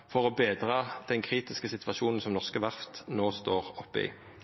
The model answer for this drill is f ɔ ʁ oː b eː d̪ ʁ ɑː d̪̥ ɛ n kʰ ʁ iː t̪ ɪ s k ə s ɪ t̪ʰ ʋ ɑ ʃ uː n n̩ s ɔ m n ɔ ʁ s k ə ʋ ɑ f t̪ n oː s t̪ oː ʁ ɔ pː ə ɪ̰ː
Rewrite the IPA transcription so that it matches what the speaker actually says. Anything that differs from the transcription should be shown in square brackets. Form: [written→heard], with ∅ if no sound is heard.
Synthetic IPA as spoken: f ɔ ʁ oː b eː d̪ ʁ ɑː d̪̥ ɛ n kʰ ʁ iː t̪ ɪ s k ə s ɪ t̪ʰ ʋ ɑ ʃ uː n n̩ s ɔ m n ɔ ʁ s k ə ʋ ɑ f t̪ n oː s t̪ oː ʁ ɔ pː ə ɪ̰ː